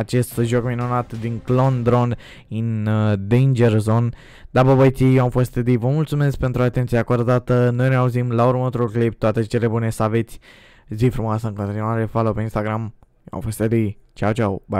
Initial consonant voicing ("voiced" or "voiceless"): voiceless